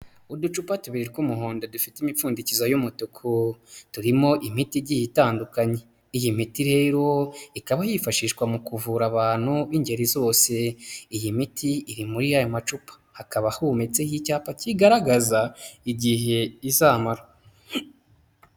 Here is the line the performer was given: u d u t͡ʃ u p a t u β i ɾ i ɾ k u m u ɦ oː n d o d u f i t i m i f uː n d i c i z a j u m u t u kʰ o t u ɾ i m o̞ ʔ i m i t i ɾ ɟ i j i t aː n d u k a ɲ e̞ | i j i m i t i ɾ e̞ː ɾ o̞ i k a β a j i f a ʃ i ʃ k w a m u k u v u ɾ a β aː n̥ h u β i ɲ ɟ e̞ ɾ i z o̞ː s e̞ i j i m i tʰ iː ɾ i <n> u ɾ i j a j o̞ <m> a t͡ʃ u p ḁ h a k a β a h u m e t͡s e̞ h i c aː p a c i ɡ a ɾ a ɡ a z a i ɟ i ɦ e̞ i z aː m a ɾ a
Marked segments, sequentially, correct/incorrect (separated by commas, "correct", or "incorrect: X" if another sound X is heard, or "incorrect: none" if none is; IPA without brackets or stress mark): incorrect: m, correct